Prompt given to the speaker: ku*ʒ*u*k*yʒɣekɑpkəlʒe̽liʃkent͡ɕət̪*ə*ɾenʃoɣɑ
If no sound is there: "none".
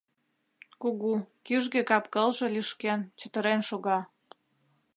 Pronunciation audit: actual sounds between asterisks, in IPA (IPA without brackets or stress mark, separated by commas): ɣ, k, ə